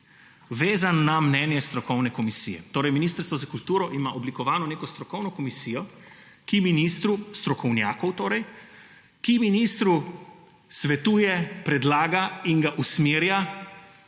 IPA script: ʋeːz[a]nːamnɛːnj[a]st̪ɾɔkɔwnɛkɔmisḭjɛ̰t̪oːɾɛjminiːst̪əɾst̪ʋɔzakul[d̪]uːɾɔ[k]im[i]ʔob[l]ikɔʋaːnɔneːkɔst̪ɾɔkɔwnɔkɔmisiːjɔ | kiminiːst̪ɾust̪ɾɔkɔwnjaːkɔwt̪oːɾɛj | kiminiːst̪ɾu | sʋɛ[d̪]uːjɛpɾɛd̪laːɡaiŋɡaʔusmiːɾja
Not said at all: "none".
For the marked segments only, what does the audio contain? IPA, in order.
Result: a, ɛ, t̪, ʔ, a, l, t̪

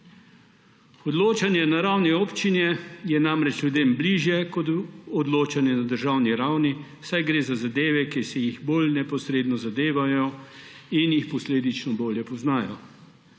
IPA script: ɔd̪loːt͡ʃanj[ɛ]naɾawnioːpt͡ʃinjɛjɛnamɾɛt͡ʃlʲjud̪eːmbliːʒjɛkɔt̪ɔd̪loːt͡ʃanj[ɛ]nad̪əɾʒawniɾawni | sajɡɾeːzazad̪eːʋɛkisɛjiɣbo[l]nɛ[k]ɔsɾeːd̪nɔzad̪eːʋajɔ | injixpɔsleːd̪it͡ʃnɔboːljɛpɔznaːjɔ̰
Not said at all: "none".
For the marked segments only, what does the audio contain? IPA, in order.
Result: ɛ, ɛ, l, p

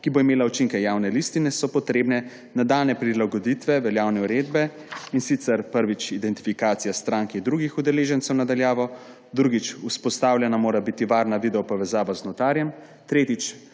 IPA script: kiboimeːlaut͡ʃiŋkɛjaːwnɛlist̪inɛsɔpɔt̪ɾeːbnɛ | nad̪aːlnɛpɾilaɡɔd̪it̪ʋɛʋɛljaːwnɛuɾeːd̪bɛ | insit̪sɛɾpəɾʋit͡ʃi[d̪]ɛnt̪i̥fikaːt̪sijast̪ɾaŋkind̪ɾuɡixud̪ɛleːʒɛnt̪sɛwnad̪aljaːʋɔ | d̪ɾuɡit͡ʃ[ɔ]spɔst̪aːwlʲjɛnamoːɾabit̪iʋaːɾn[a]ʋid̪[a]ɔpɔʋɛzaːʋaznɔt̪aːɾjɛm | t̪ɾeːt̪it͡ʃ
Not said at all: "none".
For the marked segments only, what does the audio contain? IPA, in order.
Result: d̪, u, a, ɛ

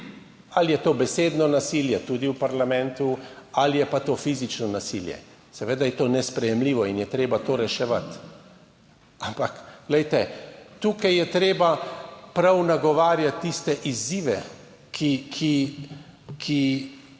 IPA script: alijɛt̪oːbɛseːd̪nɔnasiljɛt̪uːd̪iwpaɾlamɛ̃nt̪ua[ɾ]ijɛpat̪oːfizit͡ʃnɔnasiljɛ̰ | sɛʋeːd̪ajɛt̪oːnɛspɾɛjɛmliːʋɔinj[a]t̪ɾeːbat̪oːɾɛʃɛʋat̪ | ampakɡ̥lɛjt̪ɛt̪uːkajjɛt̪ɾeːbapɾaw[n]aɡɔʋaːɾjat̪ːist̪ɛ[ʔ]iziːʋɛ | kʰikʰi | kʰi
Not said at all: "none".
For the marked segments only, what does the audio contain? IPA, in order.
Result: l, ɛ, n, ʔ

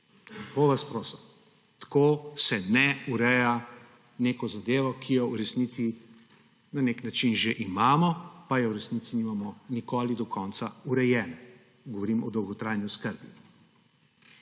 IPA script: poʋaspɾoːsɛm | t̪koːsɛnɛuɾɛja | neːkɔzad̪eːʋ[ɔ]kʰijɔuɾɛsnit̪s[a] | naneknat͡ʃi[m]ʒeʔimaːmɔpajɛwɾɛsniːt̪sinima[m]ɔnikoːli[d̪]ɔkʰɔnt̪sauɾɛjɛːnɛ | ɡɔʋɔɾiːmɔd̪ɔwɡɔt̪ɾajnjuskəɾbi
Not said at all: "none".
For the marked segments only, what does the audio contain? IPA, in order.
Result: ɔ, i, n, m, d̪

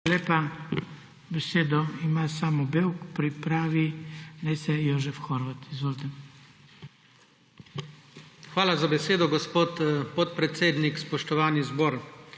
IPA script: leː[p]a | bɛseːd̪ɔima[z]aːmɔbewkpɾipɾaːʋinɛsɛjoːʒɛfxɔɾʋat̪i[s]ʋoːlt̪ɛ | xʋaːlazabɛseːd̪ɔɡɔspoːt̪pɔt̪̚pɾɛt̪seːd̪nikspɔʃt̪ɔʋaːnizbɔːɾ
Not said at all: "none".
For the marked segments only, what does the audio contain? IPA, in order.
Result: p, s, z

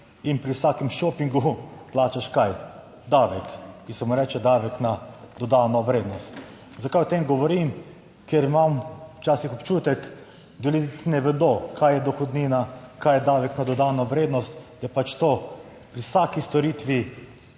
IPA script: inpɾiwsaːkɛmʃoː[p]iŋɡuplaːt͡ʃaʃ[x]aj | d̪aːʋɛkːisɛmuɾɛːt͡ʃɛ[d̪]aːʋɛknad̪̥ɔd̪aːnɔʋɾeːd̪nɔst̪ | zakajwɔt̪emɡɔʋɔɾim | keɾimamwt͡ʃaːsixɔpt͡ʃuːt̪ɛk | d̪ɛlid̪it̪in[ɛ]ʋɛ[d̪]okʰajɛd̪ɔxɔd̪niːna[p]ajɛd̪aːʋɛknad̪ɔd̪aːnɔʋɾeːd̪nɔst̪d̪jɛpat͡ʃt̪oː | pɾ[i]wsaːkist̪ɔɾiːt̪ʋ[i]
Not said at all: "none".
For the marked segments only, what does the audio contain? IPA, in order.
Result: p, k, d̪, ɛ, d̪, k, i, i

